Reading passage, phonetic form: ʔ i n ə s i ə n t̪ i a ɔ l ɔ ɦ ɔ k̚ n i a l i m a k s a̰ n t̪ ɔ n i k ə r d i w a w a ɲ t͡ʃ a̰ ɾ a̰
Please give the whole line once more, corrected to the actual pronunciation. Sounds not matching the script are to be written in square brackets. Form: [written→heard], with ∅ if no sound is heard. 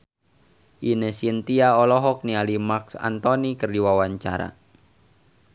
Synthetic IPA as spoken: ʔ i n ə s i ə n t̪ i a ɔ l ɔ ɦ ɔ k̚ n i a l i m a k s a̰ n t̪ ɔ n i k ə r d i w a w a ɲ t͡ʃ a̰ ɾ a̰